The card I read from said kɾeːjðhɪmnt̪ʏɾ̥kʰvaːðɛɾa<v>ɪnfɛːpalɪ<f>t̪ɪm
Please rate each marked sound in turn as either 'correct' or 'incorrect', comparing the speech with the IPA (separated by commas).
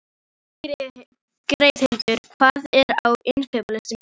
incorrect, incorrect